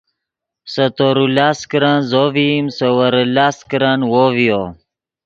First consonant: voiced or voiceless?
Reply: voiceless